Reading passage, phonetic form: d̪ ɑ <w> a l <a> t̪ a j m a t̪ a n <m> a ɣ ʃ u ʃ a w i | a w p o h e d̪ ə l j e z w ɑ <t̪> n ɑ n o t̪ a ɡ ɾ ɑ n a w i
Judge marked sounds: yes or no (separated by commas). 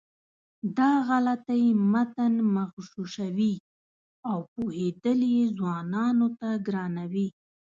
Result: no, yes, yes, no